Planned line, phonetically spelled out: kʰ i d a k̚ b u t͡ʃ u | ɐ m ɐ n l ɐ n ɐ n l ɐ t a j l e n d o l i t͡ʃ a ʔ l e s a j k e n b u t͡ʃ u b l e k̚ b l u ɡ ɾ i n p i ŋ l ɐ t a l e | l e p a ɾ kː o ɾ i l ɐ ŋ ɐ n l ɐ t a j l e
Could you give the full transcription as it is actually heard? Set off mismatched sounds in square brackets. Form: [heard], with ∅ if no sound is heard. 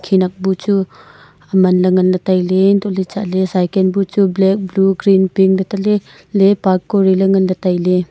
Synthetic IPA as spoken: kʰ i [n] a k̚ b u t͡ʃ u | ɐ m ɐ n l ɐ [ŋ] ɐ n l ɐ t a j l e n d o l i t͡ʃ a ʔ l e s a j k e n b u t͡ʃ u b l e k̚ b l u ɡ ɾ i n p i ŋ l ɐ t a l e | l e p a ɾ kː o ɾ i l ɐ ŋ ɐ n l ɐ t a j l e

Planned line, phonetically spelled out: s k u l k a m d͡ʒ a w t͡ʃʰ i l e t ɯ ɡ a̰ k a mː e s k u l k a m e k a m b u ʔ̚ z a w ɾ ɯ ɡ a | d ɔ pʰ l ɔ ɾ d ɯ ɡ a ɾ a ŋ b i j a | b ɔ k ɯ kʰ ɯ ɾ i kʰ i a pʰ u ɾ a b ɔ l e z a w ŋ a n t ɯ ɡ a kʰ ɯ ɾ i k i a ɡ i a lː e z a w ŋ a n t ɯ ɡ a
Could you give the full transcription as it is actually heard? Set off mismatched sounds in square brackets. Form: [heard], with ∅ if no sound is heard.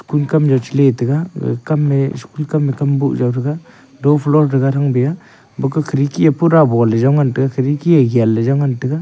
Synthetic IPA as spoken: s k u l k a m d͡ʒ a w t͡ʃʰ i l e t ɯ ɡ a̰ k a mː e s k u l k a m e k a m b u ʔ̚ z a w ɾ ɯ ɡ a | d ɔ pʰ l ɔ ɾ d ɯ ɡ a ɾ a ŋ b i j a | b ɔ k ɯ kʰ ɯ ɾ i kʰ i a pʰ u ɾ a b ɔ l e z a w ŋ a n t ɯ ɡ a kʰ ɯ ɾ i k i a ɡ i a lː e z a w ŋ a n t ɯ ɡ a

